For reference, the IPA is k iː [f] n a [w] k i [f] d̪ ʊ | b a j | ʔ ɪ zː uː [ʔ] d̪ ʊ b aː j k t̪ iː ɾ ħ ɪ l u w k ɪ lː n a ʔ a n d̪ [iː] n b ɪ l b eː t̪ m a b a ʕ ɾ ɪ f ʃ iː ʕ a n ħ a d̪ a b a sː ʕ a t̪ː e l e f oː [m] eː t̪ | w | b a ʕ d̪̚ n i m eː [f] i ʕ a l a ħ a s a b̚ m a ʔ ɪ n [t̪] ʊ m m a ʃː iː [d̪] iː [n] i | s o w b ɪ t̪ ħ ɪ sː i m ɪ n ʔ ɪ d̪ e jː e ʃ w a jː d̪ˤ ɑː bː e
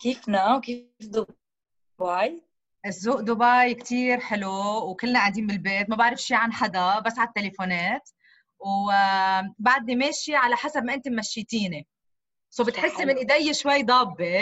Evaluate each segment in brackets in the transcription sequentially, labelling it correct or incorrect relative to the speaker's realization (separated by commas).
correct, correct, correct, correct, correct, incorrect, incorrect, correct, incorrect, correct